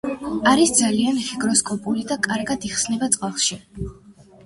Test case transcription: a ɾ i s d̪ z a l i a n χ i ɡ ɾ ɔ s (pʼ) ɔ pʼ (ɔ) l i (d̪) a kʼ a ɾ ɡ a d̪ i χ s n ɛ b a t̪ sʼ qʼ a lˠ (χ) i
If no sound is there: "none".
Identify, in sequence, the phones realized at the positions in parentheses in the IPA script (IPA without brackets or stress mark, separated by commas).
kʼ, u, d̪, ʃ